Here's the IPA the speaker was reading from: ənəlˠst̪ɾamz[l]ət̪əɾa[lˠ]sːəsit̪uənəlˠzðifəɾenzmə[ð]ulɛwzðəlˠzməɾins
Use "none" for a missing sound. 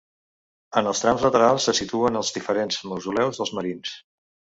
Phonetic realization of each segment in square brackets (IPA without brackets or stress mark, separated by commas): l, lˠ, z